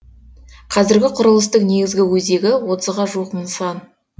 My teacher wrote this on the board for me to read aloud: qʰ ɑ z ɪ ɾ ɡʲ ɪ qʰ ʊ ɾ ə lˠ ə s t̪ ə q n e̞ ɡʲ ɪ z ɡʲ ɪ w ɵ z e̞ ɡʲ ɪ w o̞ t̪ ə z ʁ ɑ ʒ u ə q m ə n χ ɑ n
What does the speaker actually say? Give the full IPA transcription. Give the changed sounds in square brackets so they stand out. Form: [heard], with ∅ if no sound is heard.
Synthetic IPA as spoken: qʰ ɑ z ɪ ɾ ɡʲ ɪ qʰ ʊ ɾ ə lˠ ə s t̪ ə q n e̞ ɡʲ ɪ z ɡʲ ɪ w ɵ z e̞ ɡʲ ɪ w o̞ t̪ ə z ʁ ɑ ʒ u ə q m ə n [s] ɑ n